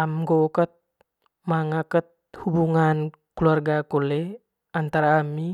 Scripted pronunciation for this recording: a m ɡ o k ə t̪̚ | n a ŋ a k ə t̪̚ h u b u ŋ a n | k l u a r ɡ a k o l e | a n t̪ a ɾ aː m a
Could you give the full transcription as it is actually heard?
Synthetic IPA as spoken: a m ɡ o k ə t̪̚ | m a ŋ a k ə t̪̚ h u b u ŋ a n | k l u a r ɡ a k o l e | a n t̪ a ɾ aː m i